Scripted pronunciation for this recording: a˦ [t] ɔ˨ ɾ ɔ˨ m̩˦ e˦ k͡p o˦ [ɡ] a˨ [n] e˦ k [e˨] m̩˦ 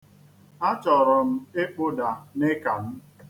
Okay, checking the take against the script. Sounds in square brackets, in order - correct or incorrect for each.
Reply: incorrect, incorrect, correct, incorrect

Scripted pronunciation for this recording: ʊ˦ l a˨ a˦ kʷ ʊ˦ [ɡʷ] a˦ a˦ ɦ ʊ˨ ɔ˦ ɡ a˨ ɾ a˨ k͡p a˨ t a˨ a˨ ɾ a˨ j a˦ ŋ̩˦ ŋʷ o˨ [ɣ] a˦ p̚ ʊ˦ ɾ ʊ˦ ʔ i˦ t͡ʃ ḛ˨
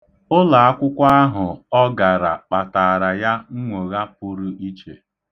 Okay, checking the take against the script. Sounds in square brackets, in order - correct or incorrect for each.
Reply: incorrect, correct

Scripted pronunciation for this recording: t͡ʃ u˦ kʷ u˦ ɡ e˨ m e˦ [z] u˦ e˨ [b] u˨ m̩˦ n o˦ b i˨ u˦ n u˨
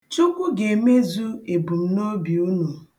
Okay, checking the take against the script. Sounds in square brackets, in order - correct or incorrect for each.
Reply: correct, correct

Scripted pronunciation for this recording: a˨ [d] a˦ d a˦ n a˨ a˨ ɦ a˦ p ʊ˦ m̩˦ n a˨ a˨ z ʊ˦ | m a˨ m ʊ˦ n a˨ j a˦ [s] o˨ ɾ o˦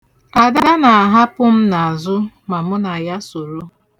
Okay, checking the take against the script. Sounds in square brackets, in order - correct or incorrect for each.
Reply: correct, correct

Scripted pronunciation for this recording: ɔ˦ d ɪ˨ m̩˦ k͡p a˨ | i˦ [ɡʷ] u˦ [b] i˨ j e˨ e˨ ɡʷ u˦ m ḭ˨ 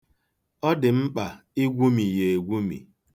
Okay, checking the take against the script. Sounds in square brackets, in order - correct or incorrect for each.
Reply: correct, incorrect

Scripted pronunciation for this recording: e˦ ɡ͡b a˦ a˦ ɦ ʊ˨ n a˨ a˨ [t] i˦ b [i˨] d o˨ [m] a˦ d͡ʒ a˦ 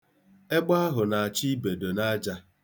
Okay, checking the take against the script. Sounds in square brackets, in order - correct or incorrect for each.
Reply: incorrect, incorrect, incorrect

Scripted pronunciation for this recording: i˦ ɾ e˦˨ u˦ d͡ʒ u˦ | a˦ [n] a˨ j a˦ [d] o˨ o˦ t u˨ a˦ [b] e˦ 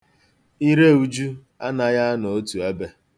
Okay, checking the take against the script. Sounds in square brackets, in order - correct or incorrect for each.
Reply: correct, incorrect, correct

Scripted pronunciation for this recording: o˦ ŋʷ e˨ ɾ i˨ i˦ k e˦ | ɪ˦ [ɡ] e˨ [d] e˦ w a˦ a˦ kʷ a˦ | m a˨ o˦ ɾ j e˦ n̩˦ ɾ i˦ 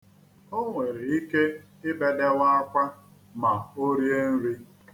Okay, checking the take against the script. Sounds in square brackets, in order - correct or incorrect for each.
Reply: incorrect, correct

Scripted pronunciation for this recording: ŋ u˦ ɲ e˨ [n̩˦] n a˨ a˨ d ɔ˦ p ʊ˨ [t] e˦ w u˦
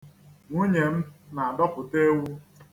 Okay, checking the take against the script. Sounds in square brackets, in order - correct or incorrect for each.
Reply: incorrect, correct

